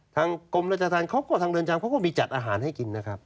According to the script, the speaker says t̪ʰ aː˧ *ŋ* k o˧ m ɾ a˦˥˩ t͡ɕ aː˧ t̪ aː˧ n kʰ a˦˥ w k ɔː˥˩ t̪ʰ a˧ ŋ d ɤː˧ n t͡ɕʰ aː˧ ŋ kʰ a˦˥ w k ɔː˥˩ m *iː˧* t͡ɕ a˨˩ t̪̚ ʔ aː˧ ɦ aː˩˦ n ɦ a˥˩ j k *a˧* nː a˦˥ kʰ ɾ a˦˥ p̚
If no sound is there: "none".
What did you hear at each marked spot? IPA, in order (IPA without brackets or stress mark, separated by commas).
ŋ, iː˧, i˧